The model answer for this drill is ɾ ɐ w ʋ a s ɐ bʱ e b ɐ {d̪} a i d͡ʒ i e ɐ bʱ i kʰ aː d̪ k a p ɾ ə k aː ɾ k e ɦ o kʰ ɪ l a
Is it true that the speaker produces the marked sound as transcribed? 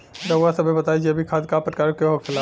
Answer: no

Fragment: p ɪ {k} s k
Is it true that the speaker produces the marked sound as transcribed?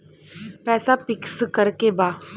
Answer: yes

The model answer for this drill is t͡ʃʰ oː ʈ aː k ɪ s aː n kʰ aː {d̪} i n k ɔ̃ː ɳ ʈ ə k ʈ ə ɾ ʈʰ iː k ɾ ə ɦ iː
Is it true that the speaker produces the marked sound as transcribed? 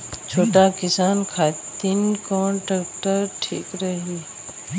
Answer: no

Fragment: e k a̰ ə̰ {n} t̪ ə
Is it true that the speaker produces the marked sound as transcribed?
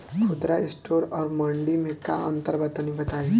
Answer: yes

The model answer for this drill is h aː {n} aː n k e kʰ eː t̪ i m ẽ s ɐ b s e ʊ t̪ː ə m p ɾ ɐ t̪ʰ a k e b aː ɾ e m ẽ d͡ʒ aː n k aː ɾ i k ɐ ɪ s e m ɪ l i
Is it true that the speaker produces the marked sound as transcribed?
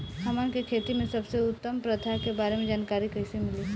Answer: no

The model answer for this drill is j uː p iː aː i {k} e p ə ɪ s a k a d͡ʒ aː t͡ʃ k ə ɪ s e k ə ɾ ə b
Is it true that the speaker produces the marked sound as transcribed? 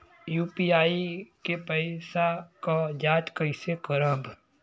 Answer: yes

